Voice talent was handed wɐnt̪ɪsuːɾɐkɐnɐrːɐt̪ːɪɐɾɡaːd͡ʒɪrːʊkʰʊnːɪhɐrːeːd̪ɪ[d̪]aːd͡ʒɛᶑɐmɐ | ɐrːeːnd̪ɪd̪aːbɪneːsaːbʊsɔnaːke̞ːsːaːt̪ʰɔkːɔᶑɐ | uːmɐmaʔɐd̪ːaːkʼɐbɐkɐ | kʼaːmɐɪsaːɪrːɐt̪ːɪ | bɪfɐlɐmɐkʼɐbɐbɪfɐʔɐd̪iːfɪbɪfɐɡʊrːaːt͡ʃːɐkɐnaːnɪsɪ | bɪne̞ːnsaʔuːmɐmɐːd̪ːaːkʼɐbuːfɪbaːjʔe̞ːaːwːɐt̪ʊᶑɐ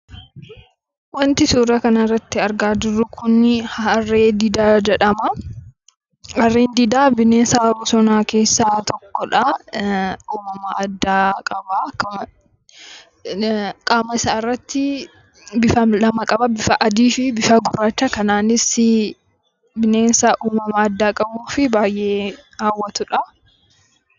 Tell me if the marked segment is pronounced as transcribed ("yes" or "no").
yes